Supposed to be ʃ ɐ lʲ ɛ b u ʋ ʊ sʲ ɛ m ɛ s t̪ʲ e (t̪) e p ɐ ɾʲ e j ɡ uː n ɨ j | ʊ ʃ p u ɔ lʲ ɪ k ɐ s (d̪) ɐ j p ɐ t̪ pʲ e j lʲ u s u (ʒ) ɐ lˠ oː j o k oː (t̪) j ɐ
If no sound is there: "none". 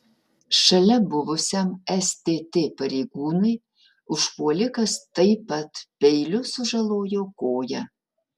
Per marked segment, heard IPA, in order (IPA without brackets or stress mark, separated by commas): t̪, t̪, ʒ, none